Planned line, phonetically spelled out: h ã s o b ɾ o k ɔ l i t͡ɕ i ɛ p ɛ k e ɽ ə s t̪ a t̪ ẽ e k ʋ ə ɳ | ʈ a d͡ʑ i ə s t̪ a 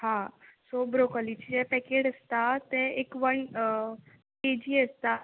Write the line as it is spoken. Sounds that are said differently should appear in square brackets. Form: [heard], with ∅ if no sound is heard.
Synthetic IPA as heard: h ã s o b ɾ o k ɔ l i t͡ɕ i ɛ p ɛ k e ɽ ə s t̪ a t̪ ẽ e k ʋ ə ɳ | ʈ [e] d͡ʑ i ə s t̪ a